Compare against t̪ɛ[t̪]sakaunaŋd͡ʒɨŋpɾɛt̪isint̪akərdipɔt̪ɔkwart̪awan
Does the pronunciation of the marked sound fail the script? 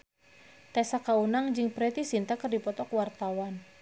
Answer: yes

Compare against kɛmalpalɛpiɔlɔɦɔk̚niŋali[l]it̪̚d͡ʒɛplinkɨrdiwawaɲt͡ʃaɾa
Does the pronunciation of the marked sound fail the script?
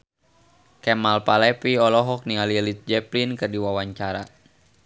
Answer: no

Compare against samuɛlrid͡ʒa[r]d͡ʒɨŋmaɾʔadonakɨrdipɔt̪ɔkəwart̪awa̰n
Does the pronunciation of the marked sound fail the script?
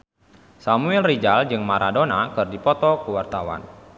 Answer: yes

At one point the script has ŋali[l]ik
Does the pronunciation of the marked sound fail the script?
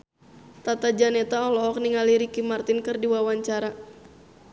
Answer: yes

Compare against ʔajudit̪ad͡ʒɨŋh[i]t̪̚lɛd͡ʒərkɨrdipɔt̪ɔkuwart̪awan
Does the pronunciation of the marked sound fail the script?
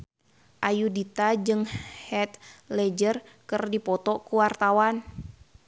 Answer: yes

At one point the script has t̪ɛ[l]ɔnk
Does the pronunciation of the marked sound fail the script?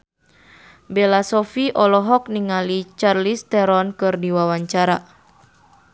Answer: yes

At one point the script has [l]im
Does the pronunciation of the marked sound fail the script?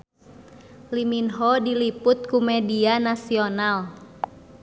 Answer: no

